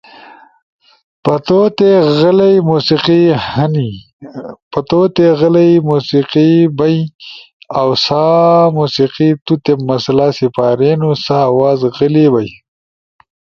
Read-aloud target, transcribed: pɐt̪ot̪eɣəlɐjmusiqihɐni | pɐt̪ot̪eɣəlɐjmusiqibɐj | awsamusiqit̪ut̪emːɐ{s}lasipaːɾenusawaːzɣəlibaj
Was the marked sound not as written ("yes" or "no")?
no